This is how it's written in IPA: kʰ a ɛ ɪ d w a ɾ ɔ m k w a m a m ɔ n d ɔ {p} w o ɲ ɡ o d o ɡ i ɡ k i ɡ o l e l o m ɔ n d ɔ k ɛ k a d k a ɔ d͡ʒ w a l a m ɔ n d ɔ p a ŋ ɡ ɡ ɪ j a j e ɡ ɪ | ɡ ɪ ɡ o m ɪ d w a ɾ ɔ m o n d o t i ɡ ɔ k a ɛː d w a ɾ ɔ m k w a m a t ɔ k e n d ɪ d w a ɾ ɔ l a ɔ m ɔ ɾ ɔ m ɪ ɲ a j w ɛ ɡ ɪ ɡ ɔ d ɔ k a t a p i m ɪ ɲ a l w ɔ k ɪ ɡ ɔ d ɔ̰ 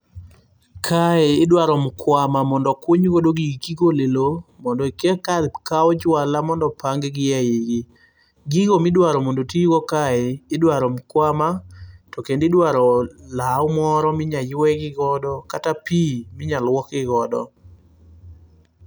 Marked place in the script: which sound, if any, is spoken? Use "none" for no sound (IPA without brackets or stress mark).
k